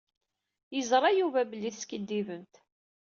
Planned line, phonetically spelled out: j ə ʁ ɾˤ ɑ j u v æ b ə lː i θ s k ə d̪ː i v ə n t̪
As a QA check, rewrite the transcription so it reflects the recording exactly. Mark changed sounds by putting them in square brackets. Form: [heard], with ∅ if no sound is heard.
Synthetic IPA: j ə [z] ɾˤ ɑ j u v æ b ə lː i θ s k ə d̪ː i v ə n t̪

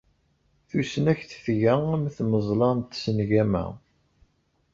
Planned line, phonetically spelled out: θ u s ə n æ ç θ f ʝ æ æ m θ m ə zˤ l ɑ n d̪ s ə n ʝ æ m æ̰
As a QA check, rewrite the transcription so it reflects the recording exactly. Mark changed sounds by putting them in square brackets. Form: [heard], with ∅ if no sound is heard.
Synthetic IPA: θ u s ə n æ ç θ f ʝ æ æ m θ m ə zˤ l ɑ n [t̪] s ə n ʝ æ m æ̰

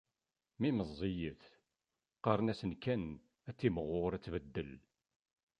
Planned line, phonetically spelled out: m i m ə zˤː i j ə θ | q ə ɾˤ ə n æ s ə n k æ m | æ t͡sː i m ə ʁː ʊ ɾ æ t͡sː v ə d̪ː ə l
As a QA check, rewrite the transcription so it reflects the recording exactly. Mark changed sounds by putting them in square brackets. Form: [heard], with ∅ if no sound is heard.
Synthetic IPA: m i m ə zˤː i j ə θ | q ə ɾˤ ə n æ s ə n k æ [n] | æ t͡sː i m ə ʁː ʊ ɾ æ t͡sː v ə d̪ː ə l

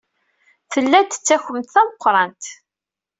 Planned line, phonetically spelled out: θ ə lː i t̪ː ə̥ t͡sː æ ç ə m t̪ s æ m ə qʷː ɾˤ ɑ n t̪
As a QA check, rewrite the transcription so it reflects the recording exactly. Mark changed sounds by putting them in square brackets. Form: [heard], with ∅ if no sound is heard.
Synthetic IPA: θ ə lː [æ] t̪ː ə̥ t͡sː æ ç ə m t̪ [θ] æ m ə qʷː ɾˤ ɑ n t̪

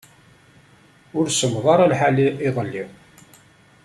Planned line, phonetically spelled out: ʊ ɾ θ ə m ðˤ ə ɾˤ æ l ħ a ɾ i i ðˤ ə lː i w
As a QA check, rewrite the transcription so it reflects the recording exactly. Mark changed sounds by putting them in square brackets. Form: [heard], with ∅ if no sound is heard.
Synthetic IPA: ʊ ɾ [s] ə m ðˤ [ɑ] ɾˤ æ l ħ a [l] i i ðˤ ə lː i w

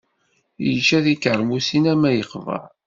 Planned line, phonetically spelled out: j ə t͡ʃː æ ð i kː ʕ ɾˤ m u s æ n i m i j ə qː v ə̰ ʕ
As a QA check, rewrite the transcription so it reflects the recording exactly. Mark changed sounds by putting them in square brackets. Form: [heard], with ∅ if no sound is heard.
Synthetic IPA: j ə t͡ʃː æ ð i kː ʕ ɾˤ m u s [i] n [æ] m [æ] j ə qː v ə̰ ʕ

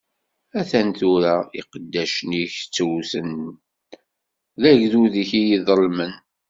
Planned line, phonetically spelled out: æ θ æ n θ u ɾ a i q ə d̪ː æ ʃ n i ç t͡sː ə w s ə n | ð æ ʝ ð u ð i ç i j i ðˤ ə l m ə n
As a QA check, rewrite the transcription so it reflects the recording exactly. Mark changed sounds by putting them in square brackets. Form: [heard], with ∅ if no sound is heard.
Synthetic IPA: æ θ æ n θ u ɾ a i q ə d̪ː æ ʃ n i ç t͡sː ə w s ə n | ð æ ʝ ð u ð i ç i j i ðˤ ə l m ə n

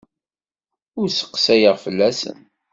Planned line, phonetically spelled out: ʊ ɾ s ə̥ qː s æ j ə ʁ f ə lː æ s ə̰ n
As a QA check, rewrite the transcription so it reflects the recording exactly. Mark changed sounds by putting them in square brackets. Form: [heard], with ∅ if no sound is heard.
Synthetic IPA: ʊ ɾ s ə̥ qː s æ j ə ʁ f ə lː æ s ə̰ n

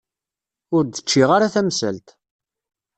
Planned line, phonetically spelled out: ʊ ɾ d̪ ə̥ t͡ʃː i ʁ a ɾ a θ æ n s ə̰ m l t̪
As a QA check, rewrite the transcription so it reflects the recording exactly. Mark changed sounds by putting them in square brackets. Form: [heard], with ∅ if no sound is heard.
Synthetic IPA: ʊ ɾ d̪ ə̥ t͡ʃː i ʁ a ɾ a θ æ [m] s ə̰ [∅] l t̪

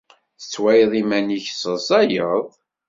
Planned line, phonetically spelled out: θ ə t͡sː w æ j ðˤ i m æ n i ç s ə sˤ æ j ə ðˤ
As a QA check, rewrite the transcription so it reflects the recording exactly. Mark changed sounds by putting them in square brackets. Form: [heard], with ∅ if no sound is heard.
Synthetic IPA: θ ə t͡sː w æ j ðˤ i m æ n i ç s ə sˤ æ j ə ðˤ

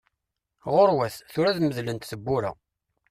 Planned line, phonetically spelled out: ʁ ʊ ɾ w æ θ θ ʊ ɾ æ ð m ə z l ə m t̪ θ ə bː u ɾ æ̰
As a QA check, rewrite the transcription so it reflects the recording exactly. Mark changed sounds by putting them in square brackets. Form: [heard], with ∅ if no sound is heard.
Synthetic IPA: ʁ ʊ ɾ w æ θ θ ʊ ɾ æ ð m ə [ð] l ə [n] t̪ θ ə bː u ɾ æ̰

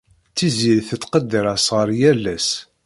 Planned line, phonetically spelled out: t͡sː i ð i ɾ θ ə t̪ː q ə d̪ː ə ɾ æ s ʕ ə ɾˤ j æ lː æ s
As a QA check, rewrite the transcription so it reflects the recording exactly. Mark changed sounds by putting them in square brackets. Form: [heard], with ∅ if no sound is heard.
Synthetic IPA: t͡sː i [z] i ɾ θ ə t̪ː q ə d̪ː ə ɾ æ s [ʁ] ə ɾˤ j æ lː æ s

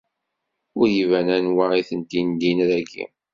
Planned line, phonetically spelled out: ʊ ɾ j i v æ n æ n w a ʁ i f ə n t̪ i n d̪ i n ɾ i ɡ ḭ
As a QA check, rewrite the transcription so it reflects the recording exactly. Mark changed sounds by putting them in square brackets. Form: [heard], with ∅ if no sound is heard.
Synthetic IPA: ʊ ɾ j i v æ n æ n w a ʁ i [θ] ə n t̪ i n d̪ i n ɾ [æ] ɡ ḭ

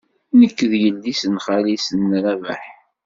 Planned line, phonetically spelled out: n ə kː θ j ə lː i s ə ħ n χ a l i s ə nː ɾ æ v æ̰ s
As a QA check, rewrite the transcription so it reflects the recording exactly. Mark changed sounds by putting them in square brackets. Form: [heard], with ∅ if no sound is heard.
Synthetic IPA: n ə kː [ð] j ə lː i s ə [∅] n χ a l i s ə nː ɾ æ v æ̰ [ħ]

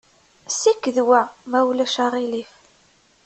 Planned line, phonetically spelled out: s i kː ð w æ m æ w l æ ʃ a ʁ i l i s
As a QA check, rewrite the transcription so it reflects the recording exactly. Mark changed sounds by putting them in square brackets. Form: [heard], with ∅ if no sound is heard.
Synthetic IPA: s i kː ð w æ m æ w l æ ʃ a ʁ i l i [f]

